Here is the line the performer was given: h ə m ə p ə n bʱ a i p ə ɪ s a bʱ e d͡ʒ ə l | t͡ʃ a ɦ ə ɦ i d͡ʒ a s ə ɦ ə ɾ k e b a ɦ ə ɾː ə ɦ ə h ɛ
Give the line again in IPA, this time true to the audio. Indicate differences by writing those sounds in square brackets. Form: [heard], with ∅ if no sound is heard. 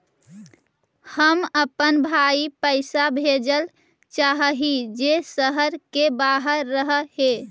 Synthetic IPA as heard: h ə m ə p ə n bʱ a i p ə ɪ s a bʱ e d͡ʒ ə l | t͡ʃ a ɦ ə ɦ i d͡ʒ [e] s ə ɦ ə ɾ k e b a ɦ ə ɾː ə ɦ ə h [e]